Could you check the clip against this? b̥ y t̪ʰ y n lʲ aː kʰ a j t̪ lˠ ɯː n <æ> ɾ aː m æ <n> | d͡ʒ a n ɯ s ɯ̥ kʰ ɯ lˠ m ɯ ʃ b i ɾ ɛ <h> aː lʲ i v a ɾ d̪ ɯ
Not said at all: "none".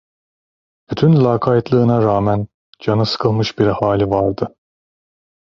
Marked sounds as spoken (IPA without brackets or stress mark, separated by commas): a, n, h